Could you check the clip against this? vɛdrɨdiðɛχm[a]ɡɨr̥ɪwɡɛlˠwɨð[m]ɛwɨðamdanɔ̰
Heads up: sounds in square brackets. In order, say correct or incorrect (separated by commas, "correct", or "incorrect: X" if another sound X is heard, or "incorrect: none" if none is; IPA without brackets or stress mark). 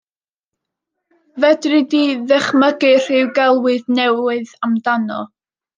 incorrect: ə, incorrect: n